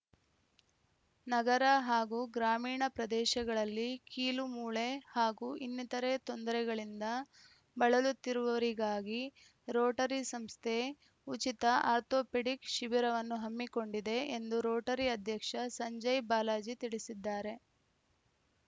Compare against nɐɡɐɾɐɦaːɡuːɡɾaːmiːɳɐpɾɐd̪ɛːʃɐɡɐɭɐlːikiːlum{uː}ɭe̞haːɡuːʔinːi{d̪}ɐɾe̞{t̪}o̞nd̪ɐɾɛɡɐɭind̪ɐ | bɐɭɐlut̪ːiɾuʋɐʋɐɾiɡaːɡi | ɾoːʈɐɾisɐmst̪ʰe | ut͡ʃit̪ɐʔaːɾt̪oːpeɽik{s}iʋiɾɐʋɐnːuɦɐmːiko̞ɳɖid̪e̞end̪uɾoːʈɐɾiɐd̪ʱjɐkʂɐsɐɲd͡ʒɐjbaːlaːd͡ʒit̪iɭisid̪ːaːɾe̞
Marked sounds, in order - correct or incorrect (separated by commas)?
correct, incorrect, correct, incorrect